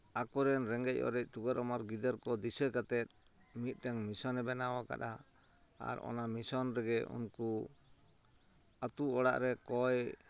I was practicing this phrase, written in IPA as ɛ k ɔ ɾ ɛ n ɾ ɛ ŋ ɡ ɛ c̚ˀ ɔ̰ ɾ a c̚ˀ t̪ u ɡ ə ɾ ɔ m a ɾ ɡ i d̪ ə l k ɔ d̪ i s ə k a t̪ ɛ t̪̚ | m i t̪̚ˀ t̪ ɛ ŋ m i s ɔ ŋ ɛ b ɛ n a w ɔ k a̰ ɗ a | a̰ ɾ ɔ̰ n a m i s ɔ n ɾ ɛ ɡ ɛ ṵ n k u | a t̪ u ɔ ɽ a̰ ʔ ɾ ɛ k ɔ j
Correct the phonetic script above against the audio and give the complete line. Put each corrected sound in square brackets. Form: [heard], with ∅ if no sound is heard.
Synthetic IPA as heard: [a] k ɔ ɾ ɛ n ɾ ɛ ŋ ɡ ɛ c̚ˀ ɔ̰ ɾ [ɛ] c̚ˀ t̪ u ɡ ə ɾ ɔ m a ɾ ɡ i d̪ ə [ɾ] k ɔ d̪ i s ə k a t̪ ɛ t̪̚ | m i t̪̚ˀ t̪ ɛ ŋ m i s ɔ [n] ɛ b ɛ n a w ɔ k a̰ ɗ a | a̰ ɾ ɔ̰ n a m i s ɔ n ɾ ɛ ɡ ɛ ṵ n k u | a t̪ u ɔ ɽ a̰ ʔ ɾ ɛ k ɔ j

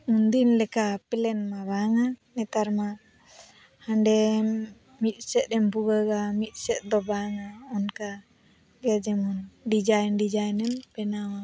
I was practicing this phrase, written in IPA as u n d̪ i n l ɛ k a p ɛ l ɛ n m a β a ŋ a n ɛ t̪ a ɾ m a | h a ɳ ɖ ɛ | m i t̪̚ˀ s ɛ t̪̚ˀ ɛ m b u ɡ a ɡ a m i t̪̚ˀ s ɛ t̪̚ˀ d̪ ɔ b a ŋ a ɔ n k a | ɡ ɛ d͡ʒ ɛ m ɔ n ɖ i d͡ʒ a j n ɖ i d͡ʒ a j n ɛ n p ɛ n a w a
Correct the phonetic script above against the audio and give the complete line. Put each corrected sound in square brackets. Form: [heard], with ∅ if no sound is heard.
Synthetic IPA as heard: u n d̪ i n l ɛ k a p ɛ l ɛ n m a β a ŋ a n ɛ t̪ a ɾ m a | h a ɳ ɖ ɛ | m i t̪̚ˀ s ɛ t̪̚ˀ ɛ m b u ɡ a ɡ a m i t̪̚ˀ s ɛ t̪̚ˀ d̪ ɔ b a ŋ a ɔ n k a | ɡ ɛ d͡ʒ ɛ m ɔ n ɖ i d͡ʒ a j n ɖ i d͡ʒ a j n ɛ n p ɛ n a w a

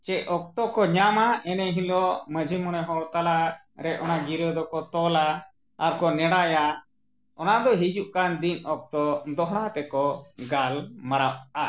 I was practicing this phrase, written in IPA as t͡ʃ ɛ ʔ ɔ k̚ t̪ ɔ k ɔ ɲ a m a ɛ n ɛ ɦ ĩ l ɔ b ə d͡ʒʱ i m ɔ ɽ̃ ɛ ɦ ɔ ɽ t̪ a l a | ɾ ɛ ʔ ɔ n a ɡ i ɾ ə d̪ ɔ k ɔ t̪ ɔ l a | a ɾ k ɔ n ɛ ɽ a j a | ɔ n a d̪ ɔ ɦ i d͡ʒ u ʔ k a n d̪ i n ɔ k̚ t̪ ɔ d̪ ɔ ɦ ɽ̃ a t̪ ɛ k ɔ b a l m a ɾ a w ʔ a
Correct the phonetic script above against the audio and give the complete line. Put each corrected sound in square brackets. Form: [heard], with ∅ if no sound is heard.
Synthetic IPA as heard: t͡ʃ ɛ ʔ ɔ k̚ t̪ ɔ k ɔ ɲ a m a ɛ n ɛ ɦ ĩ l ɔ [m] ə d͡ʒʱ i m ɔ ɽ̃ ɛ ɦ ɔ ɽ t̪ a l a | ɾ ɛ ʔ ɔ n a ɡ i ɾ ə d̪ ɔ k ɔ t̪ ɔ l a | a ɾ k ɔ n ɛ ɽ a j a | ɔ n a d̪ ɔ ɦ i d͡ʒ u ʔ k a n d̪ i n ɔ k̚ t̪ ɔ d̪ ɔ ɦ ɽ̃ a t̪ ɛ k ɔ [ɡ] a l m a ɾ a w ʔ a

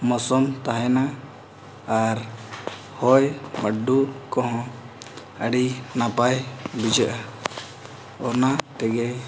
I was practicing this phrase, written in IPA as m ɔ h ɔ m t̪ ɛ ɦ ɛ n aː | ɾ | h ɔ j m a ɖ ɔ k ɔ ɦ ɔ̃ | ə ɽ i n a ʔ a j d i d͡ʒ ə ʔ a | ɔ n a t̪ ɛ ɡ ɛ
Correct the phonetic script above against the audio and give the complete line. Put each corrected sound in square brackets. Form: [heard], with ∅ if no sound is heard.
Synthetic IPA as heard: m ɔ [s] ɔ m t̪ [a] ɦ ɛ n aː | ɾ | h ɔ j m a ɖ [u] k ɔ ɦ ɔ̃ | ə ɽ i n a [p] a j [b] i d͡ʒ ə ʔ a | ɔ n a t̪ ɛ ɡ ɛ

